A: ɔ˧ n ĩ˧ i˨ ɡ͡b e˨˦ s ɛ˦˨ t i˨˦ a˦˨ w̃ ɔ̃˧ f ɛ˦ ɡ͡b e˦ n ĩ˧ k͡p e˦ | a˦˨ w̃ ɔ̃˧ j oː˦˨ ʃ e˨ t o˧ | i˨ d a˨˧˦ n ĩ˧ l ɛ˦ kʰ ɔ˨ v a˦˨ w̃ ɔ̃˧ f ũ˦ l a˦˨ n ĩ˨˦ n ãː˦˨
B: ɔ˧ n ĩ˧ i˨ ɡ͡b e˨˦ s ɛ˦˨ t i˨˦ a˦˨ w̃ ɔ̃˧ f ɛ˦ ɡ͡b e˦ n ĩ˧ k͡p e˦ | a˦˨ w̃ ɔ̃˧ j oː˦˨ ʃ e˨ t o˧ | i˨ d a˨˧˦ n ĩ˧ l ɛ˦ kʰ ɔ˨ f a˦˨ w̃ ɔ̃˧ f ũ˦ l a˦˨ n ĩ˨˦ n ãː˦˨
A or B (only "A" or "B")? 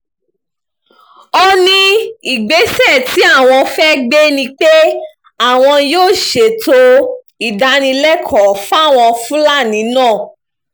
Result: B